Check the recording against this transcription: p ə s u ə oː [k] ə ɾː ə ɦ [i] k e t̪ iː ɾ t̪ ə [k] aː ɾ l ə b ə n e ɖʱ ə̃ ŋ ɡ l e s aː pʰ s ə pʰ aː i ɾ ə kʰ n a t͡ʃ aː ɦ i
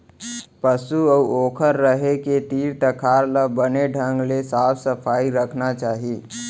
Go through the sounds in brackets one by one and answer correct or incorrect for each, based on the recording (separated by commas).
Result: incorrect, incorrect, incorrect